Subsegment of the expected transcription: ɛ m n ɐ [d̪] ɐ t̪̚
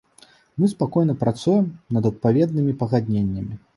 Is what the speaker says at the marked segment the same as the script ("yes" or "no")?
yes